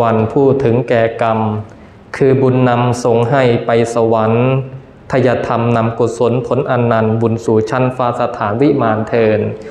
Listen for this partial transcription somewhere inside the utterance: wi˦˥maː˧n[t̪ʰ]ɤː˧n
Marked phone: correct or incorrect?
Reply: correct